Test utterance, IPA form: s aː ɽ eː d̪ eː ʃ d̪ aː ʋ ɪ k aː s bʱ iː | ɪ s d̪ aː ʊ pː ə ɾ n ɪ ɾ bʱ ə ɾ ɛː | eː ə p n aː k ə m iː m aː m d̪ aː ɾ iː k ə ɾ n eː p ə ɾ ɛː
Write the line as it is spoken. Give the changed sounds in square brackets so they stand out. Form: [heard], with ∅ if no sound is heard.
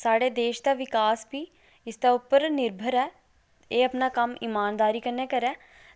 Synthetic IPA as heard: s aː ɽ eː d̪ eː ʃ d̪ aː ʋ ɪ k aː s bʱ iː | ɪ s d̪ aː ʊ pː ə ɾ n ɪ ɾ bʱ ə ɾ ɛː | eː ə p n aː k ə m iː m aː [n] d̪ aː ɾ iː k ə ɾ n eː [k] ə ɾ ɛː